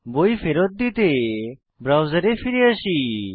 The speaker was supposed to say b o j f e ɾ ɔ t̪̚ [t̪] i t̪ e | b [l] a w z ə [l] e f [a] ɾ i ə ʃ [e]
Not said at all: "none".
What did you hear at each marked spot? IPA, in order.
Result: d̪, ɾ, ɾ, i, i

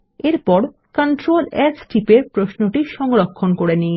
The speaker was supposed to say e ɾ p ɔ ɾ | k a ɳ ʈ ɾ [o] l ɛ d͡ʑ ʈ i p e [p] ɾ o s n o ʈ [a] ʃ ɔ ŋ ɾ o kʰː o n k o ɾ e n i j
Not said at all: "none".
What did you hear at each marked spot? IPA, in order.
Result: o, p, i

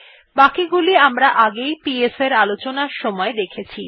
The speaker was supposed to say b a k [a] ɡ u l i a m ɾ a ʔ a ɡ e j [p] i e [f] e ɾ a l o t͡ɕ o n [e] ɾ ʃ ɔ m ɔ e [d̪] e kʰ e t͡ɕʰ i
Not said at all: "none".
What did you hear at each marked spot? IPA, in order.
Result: i, p, s, a, d̪

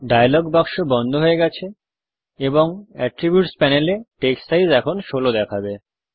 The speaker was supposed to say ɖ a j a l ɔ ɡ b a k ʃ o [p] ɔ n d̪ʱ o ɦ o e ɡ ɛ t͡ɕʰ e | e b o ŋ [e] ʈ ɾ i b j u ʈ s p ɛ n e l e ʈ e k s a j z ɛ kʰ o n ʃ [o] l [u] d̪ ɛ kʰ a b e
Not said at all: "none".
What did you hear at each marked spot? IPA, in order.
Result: b, ɛ, o, o

